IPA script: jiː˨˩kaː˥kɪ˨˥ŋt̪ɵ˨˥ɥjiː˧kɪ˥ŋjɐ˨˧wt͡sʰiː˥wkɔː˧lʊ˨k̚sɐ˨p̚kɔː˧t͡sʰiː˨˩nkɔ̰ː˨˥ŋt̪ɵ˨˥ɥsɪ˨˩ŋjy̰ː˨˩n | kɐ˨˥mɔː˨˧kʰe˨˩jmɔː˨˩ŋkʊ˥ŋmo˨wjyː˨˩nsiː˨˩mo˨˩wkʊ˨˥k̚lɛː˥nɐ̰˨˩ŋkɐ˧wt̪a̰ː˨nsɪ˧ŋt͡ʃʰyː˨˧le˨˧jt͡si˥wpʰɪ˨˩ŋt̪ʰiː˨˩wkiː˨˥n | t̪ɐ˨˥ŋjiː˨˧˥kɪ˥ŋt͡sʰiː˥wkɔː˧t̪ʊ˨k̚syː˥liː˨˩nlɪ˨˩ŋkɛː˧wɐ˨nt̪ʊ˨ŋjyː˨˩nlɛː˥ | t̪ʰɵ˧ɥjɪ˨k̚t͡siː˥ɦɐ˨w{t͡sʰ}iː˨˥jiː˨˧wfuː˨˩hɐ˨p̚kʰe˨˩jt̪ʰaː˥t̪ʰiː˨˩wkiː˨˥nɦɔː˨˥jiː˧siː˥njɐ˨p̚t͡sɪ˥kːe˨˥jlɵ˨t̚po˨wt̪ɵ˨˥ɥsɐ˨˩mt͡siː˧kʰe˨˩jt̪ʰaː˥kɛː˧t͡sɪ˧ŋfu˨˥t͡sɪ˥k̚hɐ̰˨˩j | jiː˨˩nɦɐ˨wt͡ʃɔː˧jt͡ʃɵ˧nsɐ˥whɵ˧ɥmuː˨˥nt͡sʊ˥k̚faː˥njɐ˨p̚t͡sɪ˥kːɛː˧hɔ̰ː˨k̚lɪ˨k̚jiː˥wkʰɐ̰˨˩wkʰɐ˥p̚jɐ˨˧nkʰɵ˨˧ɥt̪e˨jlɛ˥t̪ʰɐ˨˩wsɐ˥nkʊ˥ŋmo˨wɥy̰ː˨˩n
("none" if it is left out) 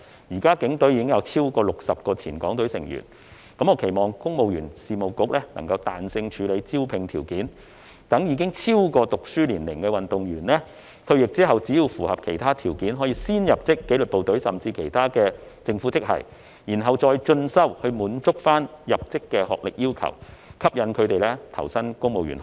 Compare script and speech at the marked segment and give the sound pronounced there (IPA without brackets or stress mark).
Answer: t͡s